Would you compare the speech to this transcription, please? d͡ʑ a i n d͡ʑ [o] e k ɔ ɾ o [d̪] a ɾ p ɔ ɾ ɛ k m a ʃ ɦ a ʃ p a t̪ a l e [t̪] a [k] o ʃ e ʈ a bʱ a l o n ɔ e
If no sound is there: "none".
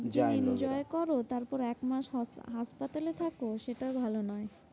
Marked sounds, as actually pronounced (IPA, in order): ɔ, t̪, t̪ʰ, k

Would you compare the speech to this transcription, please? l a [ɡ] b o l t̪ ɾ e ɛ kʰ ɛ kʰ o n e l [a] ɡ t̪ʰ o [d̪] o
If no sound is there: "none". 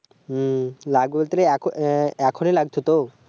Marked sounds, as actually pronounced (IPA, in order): ɡ, a, t̪

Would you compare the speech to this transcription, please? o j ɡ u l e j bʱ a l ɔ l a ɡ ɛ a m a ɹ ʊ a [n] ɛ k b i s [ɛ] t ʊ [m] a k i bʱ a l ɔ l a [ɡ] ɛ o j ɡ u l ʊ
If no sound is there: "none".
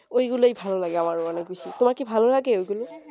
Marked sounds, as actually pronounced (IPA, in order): n, i, m, ɡ

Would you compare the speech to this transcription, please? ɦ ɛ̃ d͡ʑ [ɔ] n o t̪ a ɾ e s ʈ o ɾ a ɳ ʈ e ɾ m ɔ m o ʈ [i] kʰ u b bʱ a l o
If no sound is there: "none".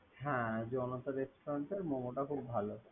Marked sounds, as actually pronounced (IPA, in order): ɔ, a

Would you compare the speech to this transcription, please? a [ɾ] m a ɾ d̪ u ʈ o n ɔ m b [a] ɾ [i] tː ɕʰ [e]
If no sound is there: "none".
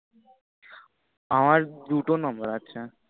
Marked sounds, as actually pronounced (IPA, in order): none, ə, a, a

